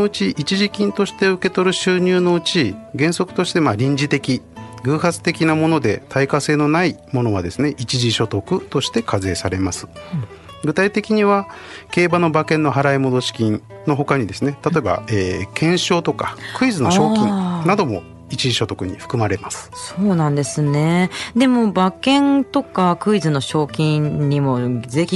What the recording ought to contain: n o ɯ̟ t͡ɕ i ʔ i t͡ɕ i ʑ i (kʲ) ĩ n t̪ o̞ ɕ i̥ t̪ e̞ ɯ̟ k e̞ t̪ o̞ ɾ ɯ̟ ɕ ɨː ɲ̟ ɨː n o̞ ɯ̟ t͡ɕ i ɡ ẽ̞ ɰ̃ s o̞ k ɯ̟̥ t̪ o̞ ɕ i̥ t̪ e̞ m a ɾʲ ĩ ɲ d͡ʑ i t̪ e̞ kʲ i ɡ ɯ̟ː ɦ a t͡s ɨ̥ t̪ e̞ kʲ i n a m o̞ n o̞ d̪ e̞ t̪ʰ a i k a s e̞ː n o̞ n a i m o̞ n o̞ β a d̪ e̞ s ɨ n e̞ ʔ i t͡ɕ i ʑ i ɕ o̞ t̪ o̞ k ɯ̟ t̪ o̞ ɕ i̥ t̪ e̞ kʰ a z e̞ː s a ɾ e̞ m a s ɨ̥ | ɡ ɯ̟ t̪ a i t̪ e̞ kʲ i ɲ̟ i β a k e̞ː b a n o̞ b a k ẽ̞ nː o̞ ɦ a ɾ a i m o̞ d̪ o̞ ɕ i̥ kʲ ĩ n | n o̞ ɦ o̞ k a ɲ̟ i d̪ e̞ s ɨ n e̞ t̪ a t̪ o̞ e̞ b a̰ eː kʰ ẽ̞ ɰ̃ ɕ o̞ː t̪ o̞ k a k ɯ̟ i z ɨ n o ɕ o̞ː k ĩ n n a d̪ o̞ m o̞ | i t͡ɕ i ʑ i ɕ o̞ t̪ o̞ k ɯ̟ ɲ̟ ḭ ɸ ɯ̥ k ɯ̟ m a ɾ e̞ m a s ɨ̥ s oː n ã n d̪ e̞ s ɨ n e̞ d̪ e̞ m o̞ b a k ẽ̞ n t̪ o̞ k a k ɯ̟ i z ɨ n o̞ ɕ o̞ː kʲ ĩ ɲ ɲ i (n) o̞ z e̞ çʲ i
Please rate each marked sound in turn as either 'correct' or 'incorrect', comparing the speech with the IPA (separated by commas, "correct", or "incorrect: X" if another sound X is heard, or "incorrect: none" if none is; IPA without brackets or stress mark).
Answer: correct, incorrect: m